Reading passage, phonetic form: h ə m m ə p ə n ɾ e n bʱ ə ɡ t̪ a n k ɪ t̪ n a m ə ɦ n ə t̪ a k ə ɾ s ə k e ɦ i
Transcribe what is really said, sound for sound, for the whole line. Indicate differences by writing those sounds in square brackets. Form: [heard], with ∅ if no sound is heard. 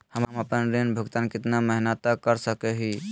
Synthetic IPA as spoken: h ə m m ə p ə n ɾ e n bʱ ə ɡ t̪ a n k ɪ t̪ n a m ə ɦ n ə t̪ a k ə ɾ s ə k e ɦ i